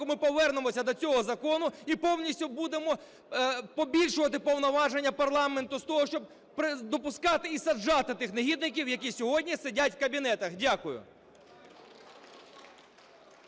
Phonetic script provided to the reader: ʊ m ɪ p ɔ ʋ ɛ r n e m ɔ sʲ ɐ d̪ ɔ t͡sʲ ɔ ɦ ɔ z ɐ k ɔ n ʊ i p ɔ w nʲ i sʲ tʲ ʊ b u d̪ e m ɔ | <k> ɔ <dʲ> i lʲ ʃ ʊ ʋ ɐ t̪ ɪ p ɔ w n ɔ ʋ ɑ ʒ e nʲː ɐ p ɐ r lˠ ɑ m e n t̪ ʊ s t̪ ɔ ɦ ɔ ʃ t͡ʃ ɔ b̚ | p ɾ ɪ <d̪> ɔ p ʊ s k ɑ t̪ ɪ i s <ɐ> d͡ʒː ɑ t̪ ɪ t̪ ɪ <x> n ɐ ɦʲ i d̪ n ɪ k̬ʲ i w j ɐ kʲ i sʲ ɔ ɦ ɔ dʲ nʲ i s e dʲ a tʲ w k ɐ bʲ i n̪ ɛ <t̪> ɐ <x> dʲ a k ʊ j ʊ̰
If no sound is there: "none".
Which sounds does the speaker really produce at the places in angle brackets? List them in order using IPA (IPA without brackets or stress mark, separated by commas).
p, bʲ, d̪, ɐ, x, t̪, x